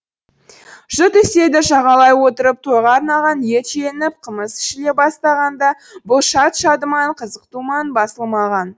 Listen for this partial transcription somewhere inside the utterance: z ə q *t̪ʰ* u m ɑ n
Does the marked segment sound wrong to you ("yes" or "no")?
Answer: yes